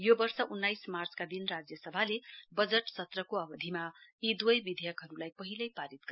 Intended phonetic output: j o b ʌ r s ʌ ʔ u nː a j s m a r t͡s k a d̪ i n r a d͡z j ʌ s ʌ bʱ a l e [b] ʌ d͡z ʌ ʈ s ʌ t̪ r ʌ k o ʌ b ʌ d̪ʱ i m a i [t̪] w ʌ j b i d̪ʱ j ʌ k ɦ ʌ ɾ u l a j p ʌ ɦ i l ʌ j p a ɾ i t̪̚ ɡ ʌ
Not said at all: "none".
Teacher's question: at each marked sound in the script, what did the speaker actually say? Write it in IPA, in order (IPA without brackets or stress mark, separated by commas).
b, d̪